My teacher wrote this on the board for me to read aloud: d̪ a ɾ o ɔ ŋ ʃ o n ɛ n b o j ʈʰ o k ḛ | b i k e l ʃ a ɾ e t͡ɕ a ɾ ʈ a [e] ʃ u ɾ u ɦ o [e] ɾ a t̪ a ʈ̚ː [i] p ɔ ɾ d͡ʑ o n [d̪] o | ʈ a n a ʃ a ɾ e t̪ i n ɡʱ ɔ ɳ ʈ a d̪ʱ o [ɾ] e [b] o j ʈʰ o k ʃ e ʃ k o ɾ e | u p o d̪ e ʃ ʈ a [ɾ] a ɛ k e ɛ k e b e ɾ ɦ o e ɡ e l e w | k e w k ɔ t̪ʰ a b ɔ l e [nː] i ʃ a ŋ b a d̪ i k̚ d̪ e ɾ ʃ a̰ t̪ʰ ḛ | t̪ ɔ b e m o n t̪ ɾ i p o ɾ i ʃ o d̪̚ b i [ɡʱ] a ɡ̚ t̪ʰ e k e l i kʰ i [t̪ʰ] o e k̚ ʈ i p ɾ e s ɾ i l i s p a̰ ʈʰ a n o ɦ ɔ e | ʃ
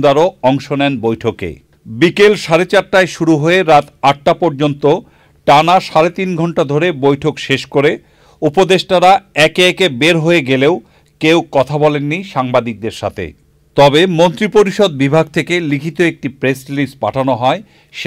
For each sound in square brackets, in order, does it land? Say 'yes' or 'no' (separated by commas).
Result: yes, yes, no, no, yes, yes, yes, yes, no, no